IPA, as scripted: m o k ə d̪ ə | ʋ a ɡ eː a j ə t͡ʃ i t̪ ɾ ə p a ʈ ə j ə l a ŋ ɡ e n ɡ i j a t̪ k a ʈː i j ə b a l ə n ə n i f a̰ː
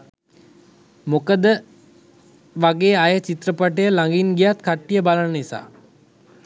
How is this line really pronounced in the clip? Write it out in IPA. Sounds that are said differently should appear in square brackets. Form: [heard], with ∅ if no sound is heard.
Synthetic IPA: m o k ə d̪ ə | ʋ a ɡ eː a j ə t͡ʃ i t̪ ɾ ə p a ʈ ə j ə l a ŋ ɡ [i] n ɡ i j a t̪ k a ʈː i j ə b a l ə n ə n i [s] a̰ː